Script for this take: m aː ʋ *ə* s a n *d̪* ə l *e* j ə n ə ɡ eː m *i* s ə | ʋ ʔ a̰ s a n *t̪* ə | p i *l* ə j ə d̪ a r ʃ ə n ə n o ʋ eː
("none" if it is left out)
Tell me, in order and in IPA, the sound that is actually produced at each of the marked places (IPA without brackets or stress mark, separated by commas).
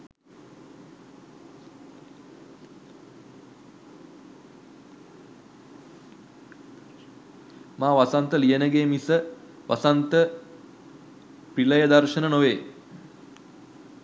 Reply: a, t̪, i, i, t̪, l